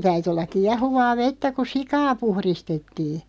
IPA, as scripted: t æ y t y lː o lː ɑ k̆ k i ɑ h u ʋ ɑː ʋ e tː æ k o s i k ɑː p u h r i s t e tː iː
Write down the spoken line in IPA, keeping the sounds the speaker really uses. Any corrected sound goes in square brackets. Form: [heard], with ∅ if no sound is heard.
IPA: t æ y t y [∅] o lː ɑ k̆ k i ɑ h u ʋ ɑː ʋ e tː æ k [u] s i k ɑː p u h r i s t e tː iː